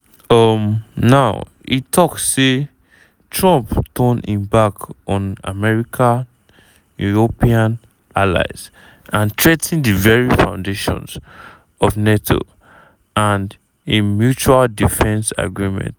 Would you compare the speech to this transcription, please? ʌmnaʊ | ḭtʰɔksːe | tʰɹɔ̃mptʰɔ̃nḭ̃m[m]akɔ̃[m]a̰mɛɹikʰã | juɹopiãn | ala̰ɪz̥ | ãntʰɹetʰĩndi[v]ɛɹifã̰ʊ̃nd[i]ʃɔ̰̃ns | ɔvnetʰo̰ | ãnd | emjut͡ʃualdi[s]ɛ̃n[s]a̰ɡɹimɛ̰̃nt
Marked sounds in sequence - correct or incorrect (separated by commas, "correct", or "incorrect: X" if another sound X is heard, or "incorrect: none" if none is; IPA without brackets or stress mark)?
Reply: incorrect: b, incorrect: n, correct, incorrect: e, incorrect: f, correct